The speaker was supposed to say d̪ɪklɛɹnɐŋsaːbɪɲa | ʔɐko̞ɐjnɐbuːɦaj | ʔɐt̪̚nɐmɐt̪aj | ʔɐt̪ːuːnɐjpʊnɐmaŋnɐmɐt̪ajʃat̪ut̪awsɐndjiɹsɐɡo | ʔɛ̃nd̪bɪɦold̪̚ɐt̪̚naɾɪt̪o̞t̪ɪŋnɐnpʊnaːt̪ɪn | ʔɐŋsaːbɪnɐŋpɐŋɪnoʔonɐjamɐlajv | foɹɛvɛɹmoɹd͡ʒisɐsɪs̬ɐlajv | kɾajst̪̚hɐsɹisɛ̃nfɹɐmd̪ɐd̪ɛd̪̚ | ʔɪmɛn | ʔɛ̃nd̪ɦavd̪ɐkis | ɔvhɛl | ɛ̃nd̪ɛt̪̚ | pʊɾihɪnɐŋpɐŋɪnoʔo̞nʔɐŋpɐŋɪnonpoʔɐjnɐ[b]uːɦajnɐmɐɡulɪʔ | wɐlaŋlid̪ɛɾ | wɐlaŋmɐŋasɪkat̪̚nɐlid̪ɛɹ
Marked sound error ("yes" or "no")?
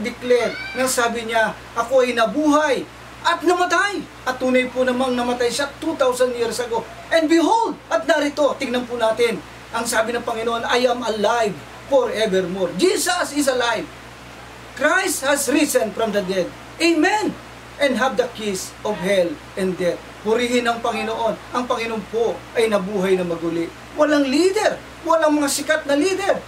no